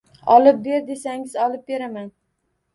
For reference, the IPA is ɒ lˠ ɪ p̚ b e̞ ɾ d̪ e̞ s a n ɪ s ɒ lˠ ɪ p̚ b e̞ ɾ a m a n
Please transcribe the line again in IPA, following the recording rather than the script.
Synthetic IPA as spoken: ɒ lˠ ɪ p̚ b e̞ ɾ d̪ e̞ s a ŋ ɪ z ɒ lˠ ɪ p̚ b e̞ ɾ a m a n